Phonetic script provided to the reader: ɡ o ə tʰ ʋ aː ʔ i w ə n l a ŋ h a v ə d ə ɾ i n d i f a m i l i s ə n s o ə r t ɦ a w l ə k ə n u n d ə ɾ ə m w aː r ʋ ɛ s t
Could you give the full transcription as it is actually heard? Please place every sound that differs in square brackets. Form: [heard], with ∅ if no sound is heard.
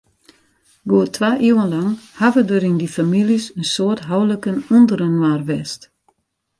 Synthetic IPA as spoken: ɡ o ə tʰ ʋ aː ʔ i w ə n l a ŋ h a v ə d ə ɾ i n d i f a m i l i s ə n s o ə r t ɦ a w l ə k ə n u n d ə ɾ ə [n] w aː r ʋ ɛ s t